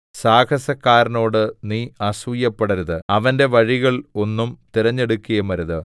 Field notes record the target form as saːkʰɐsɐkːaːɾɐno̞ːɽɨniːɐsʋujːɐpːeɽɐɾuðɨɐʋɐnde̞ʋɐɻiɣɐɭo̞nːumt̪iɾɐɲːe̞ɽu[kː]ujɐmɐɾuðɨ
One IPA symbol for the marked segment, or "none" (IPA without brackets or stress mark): kː